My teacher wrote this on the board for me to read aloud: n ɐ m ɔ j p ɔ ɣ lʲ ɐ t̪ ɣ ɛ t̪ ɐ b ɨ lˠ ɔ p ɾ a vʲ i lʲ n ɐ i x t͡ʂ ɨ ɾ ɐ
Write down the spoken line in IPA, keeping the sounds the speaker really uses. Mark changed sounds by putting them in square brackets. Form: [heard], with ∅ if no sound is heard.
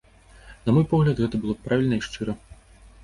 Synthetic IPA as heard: n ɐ m ɔ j p ɔ ɣ lʲ ɐ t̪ ɣ ɛ t̪ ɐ b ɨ lˠ ɔ p ɾ a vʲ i lʲ n ɐ i [ʂ] t͡ʂ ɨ ɾ ɐ

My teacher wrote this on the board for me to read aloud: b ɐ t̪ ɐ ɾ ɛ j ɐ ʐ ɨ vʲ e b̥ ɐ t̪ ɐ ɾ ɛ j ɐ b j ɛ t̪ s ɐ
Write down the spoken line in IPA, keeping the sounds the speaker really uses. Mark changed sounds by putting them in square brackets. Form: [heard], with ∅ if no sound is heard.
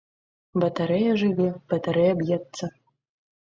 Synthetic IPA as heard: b ɐ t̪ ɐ ɾ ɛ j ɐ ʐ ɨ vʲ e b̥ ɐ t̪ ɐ ɾ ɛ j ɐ b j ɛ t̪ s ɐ

